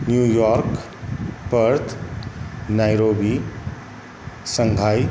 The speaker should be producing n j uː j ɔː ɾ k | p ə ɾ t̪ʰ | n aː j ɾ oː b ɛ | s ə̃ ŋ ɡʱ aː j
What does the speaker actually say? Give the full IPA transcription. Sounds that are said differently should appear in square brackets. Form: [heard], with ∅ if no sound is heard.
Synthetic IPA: n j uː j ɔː ɾ k | p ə ɾ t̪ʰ | n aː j ɾ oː b [i] | s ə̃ ŋ ɡʱ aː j